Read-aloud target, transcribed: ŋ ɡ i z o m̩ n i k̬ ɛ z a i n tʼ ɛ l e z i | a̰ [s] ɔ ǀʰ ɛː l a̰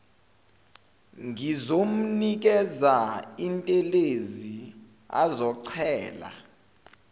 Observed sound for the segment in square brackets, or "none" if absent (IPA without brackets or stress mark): z